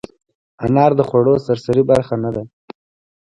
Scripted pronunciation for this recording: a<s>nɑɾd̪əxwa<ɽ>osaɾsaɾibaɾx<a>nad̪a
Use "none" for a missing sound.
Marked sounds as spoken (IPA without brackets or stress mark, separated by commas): none, ɽ, a